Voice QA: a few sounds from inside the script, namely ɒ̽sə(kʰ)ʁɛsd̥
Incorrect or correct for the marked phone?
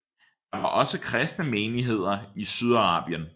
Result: correct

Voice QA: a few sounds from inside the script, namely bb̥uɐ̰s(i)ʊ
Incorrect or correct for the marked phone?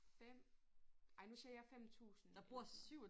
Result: incorrect: y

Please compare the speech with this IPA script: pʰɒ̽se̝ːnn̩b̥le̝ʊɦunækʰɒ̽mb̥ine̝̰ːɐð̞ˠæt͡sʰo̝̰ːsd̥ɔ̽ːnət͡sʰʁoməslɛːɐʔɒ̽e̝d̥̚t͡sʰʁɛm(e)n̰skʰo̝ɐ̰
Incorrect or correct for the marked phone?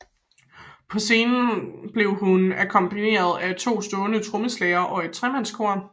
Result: incorrect: æ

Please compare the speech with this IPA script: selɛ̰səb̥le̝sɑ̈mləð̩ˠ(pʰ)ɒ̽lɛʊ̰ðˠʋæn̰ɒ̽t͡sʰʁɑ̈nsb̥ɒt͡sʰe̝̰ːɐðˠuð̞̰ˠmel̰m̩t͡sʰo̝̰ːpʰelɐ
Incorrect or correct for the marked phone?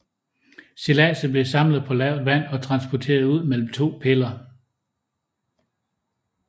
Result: correct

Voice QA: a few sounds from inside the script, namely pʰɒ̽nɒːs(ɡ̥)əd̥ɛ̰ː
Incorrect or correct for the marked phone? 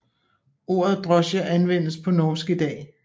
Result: correct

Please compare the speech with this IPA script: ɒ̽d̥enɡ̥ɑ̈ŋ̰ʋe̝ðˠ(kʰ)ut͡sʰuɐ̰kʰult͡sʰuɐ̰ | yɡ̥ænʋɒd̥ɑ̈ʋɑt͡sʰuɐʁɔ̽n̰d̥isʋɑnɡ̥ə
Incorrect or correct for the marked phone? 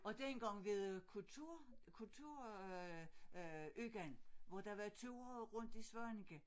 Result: correct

